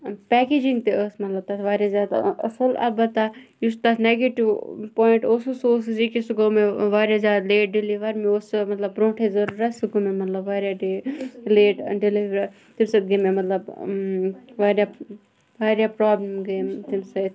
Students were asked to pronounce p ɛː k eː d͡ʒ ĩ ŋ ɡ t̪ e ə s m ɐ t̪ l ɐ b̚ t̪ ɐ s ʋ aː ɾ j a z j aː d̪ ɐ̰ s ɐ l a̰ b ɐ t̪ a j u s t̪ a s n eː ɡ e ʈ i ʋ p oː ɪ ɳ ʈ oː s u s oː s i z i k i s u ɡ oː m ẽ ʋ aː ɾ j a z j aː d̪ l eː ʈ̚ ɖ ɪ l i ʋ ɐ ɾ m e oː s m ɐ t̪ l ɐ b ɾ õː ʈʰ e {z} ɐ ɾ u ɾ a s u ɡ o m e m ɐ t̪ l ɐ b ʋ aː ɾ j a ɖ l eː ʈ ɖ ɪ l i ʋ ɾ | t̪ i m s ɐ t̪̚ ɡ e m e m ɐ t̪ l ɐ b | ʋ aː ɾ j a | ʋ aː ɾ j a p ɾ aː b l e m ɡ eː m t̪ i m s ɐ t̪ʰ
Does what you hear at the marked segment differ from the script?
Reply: no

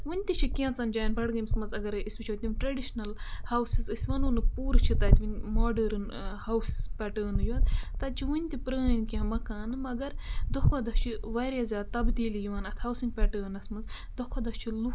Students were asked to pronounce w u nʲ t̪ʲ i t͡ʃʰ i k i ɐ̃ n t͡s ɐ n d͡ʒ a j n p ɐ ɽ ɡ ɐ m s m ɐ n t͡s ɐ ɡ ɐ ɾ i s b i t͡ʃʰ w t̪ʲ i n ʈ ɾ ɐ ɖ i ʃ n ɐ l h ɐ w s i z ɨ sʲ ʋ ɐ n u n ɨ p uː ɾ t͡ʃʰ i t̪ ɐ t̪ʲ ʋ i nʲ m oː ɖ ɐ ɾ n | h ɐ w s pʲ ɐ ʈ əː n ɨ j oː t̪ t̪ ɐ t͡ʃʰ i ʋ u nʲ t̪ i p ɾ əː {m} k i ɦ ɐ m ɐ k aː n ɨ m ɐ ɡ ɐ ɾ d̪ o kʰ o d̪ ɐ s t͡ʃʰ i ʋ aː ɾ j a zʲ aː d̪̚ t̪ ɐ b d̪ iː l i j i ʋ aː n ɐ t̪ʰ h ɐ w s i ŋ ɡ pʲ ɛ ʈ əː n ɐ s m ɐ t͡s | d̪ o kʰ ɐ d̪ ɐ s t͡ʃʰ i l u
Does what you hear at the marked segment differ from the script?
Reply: yes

